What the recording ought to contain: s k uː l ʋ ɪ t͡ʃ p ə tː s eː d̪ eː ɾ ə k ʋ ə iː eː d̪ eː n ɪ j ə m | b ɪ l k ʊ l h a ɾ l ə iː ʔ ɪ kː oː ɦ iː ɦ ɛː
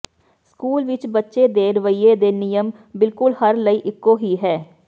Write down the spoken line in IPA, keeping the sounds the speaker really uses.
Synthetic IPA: s k uː l ʋ ɪ t͡ʃ b ə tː ʃ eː d̪ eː ɾ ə ʋ ə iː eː d̪ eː n ɪ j ə m | b ɪ l k ʊ l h ə ɾ l ə iː ʔ ɪ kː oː ɦ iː ɦ ɛː